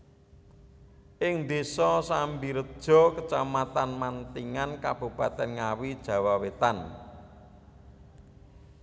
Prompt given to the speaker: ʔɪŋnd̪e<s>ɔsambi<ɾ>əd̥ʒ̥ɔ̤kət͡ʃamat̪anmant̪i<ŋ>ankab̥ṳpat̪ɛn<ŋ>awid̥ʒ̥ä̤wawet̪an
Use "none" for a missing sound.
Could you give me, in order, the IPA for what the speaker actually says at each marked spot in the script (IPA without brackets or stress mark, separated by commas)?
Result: s, ɾ, ŋ, ŋ